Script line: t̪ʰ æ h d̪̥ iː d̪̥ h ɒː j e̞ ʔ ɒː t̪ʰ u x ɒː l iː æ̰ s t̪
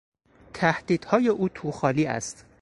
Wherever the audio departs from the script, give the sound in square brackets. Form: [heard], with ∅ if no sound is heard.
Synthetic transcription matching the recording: t̪ʰ æ h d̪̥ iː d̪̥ h ɒː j e̞ ʔ [uː] t̪ʰ u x ɒː l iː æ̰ s t̪